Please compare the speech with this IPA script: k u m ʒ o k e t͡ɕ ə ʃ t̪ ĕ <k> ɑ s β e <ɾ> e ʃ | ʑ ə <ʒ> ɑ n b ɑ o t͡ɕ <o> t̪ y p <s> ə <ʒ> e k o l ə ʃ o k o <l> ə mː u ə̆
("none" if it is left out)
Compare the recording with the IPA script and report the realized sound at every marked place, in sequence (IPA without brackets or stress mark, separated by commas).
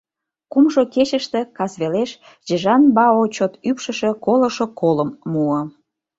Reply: k, l, ʒ, o, ʃ, ʃ, l